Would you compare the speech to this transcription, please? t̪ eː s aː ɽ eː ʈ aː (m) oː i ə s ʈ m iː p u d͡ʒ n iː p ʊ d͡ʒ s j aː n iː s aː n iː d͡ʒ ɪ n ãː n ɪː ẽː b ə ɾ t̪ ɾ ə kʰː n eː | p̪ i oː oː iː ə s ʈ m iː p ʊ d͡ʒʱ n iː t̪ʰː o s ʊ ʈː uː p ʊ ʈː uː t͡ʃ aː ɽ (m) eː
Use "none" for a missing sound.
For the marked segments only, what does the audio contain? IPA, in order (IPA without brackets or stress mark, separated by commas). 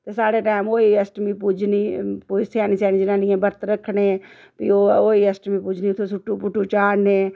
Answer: m, n